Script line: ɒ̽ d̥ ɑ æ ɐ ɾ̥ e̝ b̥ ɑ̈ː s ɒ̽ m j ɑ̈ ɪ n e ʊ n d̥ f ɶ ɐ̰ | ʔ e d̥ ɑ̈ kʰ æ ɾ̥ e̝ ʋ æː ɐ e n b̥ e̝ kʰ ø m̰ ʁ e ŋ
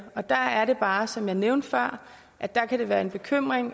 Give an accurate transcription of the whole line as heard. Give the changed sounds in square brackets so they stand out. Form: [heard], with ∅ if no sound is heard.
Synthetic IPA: ɒ̽ d̥ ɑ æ ɐ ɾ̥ e̝ b̥ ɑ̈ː s ɒ̽ m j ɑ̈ ɪ n e ʊ n d̥ f ɶ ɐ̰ | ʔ [æ] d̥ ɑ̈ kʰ æ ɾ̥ e̝ ʋ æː ɐ e n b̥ e̝ kʰ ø m̰ ʁ e ŋ